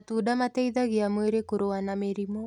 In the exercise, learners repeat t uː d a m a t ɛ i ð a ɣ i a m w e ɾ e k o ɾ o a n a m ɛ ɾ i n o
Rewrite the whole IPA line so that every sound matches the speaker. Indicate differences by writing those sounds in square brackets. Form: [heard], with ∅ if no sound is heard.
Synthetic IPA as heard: t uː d a m a t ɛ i ð a ɣ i a m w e ɾ e k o ɾ o a n a m [e] ɾ i [m] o